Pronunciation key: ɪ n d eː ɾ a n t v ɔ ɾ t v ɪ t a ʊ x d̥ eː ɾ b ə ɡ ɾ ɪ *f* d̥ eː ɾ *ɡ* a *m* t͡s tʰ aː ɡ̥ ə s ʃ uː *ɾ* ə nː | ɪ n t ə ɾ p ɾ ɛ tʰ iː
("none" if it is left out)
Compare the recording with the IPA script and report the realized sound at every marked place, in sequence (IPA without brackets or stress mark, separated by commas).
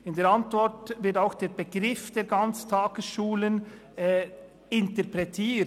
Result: f, ɡ, n, l